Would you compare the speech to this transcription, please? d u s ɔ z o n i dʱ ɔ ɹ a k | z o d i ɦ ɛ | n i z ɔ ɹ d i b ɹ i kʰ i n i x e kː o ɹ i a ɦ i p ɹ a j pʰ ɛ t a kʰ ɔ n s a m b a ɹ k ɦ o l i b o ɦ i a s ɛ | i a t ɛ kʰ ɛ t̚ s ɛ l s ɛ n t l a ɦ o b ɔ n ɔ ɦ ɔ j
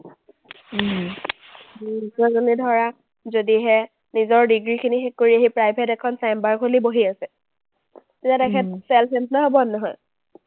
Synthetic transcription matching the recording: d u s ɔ z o n i dʱ ɔ ɹ a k | z o d i ɦ ɛ | n i z ɔ ɹ d i ɡ ɹ i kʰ i n i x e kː o ɹ i a ɦ i p ɹ a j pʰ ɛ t ɛ kʰ ɔ n s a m b a ɹ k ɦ o l i b o ɦ i a s ɛ | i a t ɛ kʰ ɛ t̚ s ɛ l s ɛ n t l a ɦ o b ɔ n ɔ ɦ ɔ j